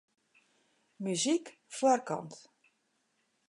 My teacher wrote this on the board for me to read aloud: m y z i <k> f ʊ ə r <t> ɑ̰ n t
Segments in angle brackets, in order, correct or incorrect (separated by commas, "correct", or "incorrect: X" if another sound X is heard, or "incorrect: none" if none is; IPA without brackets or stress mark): correct, incorrect: k